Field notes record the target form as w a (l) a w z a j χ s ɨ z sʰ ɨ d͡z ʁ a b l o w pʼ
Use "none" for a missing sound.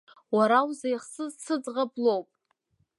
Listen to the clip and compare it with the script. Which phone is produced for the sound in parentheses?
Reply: ɾ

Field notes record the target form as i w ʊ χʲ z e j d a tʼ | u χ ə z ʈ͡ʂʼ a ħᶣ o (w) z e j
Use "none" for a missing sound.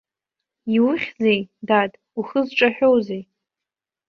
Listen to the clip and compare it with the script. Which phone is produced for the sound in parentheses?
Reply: w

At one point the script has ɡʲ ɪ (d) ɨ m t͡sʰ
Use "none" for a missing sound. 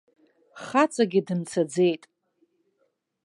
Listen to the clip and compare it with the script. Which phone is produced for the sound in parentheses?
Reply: d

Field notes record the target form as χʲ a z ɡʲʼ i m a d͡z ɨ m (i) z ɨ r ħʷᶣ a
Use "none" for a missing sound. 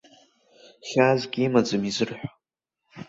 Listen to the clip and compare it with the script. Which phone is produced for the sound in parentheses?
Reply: i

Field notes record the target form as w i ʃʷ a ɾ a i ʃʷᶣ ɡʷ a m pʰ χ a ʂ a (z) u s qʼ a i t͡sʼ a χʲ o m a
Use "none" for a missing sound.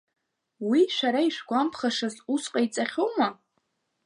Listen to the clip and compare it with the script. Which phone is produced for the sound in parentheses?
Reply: z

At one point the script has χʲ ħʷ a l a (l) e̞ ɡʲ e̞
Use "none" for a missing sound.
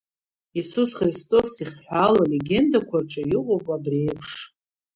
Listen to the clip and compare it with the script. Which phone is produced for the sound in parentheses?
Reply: l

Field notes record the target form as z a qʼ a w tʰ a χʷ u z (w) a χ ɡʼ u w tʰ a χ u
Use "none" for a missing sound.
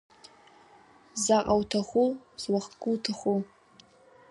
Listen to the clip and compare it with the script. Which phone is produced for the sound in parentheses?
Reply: w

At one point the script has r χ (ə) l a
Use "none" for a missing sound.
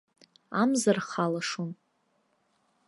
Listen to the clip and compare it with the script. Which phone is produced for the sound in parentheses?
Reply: a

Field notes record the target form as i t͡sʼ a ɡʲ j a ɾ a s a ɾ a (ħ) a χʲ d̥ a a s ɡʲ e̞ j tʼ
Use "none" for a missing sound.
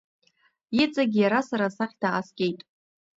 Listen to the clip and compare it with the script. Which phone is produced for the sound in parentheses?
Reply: s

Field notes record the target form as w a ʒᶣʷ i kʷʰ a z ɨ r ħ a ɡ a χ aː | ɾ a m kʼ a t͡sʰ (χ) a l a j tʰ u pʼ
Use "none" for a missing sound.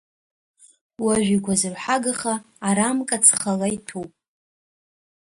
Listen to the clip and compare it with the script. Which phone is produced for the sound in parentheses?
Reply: χ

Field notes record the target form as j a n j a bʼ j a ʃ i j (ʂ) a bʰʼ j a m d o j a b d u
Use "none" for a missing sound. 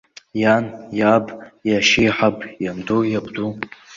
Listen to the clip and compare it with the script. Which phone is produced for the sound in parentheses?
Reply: ħ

